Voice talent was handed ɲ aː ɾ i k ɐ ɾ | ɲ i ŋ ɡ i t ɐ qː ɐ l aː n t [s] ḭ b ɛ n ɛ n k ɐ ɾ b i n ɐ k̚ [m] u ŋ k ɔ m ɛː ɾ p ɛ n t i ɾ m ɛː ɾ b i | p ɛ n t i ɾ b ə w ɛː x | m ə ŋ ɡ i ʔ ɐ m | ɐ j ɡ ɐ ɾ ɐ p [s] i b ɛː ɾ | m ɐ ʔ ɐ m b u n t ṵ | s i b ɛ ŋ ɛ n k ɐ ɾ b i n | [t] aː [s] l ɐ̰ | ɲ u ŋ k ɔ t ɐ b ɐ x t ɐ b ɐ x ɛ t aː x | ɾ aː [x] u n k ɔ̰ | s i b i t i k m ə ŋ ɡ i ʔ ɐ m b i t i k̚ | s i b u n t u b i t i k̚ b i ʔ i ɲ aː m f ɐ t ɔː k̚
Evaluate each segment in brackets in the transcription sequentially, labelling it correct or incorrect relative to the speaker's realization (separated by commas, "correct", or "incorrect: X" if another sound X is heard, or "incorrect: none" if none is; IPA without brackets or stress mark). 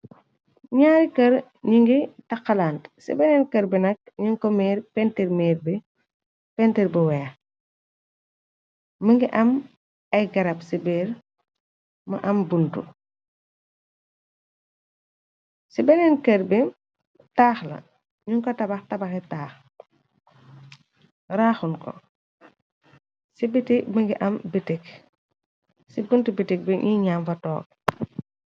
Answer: correct, incorrect: ɲ, correct, correct, incorrect: x, correct